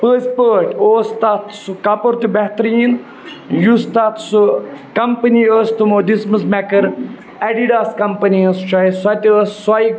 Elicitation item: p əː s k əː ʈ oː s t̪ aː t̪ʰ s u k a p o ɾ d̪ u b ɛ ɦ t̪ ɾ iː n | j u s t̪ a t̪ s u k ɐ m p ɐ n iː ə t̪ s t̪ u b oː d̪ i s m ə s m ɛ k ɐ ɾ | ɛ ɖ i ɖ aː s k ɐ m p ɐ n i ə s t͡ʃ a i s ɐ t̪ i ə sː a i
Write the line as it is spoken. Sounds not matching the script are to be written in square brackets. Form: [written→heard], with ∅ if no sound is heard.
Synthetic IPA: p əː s [k→p] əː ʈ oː s t̪ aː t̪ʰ s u k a p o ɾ [d̪→t̪] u b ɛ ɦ t̪ ɾ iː n | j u s t̪ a t̪ s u k ɐ m p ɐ n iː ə [t̪→∅] s t̪ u [b→m] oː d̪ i s m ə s m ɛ k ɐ ɾ | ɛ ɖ i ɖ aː s k ɐ m p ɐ n i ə s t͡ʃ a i s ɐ t̪ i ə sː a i